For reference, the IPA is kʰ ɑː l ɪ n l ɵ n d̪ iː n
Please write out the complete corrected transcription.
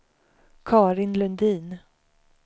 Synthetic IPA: kʰ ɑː ɾ ɪ n l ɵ n d̪ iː n